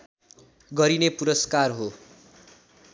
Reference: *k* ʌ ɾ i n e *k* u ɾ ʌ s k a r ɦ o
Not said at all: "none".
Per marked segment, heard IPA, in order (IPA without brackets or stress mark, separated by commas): ɡ, p